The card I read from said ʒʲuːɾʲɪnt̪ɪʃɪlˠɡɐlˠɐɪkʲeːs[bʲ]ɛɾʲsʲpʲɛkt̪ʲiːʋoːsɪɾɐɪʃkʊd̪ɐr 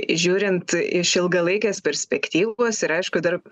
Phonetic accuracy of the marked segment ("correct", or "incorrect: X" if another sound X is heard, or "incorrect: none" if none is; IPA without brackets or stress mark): incorrect: pʲ